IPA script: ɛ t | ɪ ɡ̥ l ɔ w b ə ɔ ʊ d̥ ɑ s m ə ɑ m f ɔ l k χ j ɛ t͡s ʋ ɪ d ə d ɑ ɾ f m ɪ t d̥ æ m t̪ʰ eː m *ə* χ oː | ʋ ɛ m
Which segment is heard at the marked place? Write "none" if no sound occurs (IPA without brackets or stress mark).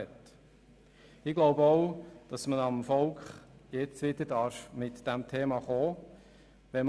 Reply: ɑ